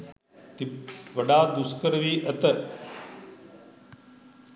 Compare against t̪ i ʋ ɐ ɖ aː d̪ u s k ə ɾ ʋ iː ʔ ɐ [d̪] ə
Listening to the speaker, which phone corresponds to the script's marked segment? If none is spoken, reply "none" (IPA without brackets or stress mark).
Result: t̪